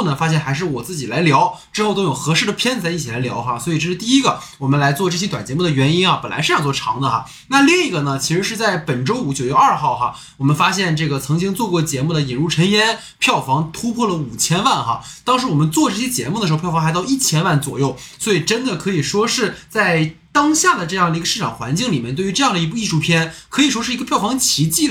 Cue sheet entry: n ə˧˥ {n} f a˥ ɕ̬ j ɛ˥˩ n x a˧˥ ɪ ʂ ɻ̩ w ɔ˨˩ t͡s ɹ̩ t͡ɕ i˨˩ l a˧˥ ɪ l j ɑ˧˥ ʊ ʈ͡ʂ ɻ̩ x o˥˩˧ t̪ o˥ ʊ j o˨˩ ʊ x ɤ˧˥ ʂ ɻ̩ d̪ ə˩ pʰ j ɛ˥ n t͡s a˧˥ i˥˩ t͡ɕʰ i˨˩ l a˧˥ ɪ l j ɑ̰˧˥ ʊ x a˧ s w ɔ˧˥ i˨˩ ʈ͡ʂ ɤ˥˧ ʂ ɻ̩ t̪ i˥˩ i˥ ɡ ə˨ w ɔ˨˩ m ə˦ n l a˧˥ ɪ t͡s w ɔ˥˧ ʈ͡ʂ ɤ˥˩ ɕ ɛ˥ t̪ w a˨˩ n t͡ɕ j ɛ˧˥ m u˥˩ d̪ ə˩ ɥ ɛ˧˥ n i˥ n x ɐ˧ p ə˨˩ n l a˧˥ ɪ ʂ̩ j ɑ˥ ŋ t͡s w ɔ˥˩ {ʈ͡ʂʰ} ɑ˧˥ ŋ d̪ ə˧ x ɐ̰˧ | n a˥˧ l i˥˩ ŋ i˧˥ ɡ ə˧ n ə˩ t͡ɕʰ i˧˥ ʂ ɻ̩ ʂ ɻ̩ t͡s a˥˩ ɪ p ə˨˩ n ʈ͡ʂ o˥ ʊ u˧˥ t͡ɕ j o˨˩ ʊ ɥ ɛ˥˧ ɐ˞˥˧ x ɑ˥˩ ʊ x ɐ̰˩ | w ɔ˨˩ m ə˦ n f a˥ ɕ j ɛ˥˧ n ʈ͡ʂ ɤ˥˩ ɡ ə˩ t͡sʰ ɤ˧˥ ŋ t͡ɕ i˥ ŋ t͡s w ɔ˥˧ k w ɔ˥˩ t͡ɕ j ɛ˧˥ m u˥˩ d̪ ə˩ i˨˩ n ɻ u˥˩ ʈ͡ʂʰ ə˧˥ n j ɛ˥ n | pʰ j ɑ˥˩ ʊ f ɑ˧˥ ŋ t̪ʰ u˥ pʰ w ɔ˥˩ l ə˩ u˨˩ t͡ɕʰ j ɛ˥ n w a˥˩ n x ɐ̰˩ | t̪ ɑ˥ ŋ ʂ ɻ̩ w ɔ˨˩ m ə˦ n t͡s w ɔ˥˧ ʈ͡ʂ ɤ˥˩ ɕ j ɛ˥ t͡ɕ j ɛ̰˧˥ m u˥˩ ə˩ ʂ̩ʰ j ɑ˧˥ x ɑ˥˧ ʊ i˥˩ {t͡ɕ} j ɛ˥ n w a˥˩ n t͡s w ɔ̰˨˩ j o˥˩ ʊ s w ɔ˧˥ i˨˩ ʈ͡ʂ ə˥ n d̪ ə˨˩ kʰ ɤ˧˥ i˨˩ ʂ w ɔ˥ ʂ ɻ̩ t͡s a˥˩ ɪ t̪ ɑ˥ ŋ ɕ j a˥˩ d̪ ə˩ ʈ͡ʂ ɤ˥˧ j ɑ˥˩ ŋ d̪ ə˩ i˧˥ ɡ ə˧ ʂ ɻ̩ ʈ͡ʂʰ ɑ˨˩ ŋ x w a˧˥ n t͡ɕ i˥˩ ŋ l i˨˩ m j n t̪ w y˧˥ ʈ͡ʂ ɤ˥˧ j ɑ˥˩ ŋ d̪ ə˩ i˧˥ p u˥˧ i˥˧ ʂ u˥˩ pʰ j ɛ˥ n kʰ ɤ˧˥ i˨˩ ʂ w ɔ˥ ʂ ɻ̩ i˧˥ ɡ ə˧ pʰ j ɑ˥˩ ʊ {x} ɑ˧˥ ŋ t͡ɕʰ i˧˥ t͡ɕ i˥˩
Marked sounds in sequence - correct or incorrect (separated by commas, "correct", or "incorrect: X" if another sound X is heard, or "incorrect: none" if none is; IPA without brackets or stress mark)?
incorrect: ŋ, correct, incorrect: t͡ɕʰ, incorrect: f